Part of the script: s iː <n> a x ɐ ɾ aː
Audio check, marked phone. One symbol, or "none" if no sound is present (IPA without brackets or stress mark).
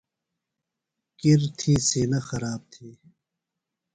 n